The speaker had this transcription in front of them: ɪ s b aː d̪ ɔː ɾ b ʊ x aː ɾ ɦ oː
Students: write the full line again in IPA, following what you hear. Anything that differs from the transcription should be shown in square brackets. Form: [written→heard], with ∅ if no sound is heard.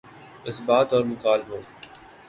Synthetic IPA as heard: ɪ s b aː [d̪→t̪] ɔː ɾ [b→m] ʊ [x→k] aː [ɾ→l] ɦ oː